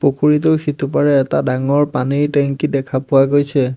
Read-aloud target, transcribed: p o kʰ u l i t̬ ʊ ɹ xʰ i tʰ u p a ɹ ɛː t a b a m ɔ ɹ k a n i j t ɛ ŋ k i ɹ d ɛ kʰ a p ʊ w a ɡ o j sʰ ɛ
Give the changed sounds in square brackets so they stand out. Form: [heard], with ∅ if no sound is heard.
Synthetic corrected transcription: p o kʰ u [ɹ] i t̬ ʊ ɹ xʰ i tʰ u p a ɹ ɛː t a [d] a [ŋ] ɔ ɹ [p] a n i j t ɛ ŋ k i [∅] d ɛ kʰ a p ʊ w a ɡ o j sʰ ɛ

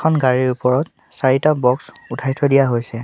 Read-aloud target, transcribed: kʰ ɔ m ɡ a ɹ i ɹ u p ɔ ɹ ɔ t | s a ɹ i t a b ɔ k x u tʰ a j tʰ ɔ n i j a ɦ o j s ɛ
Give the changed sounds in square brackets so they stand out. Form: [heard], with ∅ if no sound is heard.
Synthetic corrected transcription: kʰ ɔ [n] ɡ a ɹ i ɹ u p ɔ ɹ ɔ t | s a ɹ i t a b ɔ k [s] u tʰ a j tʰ ɔ [d] i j a ɦ o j s ɛ

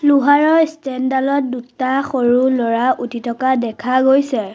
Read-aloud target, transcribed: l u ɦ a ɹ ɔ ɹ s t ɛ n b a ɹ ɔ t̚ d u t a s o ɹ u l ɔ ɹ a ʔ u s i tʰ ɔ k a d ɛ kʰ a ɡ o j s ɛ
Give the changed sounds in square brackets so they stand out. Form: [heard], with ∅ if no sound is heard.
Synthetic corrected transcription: l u ɦ a ɹ ɔ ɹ s t ɛ n [d] a [l] ɔ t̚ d u t a [x] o ɹ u l ɔ ɹ a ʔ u [t] i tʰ ɔ k a d ɛ kʰ a ɡ o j s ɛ

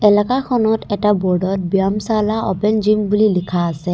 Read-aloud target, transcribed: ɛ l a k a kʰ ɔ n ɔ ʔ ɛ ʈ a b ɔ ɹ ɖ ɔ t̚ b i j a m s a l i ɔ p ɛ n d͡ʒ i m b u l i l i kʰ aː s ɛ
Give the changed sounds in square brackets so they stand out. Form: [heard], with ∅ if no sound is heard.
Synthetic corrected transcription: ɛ l a k a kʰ ɔ n ɔ [t] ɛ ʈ a b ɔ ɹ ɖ ɔ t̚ b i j a m s a l [a] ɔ p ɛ n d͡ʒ i m b u l i l i kʰ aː s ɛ

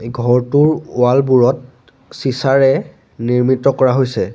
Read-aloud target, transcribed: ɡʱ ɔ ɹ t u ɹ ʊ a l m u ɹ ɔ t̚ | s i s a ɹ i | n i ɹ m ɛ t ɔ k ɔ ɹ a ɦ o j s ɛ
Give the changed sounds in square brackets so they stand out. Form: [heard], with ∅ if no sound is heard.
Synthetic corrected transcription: ɡʱ ɔ ɹ t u ɹ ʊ a l [b] u ɹ ɔ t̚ | s i s a ɹ [ɛ] | n i ɹ m [i] t ɔ k ɔ ɹ a ɦ o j s ɛ

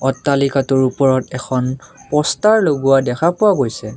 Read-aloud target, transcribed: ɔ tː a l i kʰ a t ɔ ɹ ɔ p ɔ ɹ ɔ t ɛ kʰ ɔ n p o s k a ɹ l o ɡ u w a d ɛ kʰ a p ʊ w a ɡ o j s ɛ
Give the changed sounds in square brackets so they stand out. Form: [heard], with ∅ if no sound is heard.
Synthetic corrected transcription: ɔ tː a l i [k] a t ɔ ɹ [u] p ɔ ɹ ɔ t ɛ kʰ ɔ n p [ɔ] s [t] a ɹ l o ɡ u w a d ɛ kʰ a p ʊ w a ɡ o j s ɛ

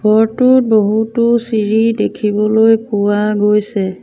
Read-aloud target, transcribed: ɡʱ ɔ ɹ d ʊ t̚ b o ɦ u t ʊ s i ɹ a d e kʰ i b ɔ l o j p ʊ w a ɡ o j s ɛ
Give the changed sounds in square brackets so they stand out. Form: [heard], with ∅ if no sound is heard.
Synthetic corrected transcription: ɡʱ ɔ ɹ [t] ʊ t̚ b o ɦ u t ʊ s i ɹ [i] d e kʰ i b ɔ l o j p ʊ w a ɡ o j s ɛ

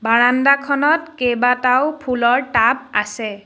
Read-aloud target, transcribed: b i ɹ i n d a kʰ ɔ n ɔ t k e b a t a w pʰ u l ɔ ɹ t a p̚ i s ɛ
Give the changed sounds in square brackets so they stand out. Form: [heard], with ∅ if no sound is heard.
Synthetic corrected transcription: b [a] ɹ [a] n d a kʰ ɔ n ɔ t k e b a t a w pʰ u l ɔ ɹ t a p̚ [a] s ɛ

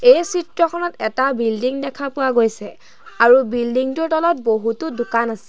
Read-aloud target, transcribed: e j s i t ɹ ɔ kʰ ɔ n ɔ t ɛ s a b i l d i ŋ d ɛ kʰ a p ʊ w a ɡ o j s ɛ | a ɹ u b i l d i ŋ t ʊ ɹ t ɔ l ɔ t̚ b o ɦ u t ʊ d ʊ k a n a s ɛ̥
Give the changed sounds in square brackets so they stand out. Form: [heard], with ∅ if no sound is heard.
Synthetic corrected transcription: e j s i t ɹ ɔ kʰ ɔ n ɔ t ɛ [t] a b i l d i ŋ d ɛ kʰ a p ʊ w a ɡ o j s ɛ | a ɹ u b i l d i ŋ t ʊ ɹ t ɔ l ɔ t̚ b o ɦ u t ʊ d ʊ k a n a s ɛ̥

